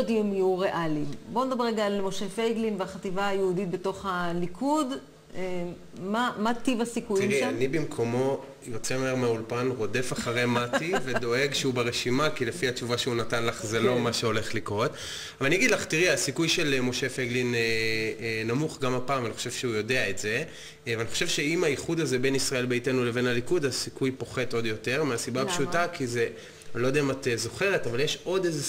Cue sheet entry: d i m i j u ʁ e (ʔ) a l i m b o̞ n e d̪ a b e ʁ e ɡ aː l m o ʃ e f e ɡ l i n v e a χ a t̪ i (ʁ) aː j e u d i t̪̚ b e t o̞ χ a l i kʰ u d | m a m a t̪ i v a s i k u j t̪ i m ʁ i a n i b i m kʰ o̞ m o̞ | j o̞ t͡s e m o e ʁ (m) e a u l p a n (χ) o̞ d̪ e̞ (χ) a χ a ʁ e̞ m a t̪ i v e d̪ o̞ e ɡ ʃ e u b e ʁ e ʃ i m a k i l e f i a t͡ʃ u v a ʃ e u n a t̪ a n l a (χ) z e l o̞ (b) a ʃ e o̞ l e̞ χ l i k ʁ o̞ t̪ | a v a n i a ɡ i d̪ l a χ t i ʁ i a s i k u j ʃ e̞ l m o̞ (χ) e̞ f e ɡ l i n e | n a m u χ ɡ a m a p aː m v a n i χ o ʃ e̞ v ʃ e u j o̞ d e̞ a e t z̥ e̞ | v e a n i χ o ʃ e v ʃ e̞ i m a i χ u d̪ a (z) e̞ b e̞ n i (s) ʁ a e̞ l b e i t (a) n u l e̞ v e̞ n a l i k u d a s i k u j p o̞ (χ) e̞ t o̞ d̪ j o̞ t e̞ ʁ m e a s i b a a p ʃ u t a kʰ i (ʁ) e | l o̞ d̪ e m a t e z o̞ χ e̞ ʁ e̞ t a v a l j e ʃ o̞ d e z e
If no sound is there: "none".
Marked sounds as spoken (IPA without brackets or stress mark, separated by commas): ʔ, v, m, ʁ, f, χ, m, ʃ, z, s, e, χ, z